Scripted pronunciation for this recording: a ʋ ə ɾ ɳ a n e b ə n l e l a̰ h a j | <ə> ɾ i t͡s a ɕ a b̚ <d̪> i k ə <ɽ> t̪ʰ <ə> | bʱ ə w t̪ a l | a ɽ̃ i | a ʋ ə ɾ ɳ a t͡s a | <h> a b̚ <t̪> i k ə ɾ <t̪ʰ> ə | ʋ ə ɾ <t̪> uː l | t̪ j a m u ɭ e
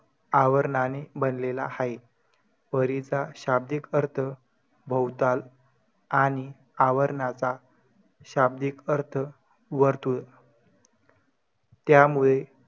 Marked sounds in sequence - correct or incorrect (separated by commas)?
correct, correct, incorrect, correct, incorrect, incorrect, correct, correct